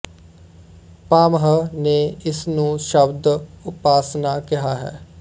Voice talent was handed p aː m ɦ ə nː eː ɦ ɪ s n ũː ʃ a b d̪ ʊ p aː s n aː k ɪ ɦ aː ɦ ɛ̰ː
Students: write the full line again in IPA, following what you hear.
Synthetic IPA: p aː m ɦ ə n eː ɪ s n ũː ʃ ə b d̪ ʊ p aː s n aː k ɪ ɦ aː ɦ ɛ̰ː